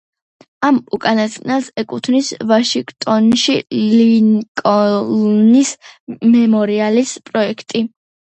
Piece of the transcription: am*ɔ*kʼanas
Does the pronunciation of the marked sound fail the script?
yes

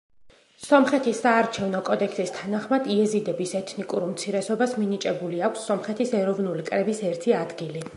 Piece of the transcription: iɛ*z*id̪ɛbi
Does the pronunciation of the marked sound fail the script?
no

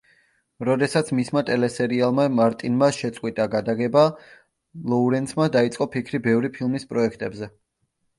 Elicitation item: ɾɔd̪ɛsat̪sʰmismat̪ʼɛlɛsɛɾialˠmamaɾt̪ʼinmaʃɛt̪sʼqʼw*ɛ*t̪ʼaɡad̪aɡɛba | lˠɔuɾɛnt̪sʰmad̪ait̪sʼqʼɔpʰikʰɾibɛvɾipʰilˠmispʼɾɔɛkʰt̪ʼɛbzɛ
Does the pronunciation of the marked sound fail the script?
yes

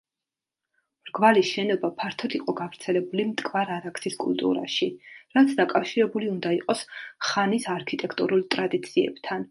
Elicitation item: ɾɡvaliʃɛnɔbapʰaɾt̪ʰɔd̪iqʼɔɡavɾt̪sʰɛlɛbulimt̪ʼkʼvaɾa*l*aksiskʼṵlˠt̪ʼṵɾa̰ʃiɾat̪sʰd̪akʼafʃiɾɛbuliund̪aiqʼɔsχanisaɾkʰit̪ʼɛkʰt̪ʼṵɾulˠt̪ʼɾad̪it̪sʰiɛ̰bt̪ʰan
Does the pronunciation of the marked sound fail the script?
yes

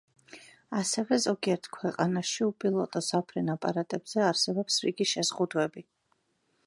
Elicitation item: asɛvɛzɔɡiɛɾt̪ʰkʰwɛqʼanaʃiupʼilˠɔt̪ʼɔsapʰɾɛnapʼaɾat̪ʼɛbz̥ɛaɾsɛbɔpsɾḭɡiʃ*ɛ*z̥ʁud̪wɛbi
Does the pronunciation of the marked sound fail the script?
no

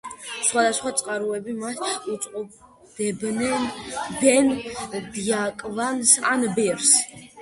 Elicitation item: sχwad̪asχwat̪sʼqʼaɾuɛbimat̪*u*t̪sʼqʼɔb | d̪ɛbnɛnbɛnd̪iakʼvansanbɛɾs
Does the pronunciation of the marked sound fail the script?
no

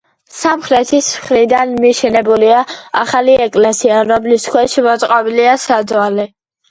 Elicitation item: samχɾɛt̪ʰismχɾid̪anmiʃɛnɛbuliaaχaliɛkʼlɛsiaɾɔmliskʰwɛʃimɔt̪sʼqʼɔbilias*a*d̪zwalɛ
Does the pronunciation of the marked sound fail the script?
no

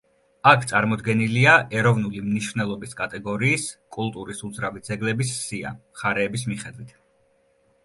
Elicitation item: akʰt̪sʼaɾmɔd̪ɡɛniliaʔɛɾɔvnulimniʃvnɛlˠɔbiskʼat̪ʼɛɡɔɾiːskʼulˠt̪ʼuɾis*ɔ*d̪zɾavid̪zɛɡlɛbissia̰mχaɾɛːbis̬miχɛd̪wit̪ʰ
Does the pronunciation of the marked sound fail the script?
yes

